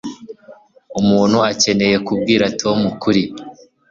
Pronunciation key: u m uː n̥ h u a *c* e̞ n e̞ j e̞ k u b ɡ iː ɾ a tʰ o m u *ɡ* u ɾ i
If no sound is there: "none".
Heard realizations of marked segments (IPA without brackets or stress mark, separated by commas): c, k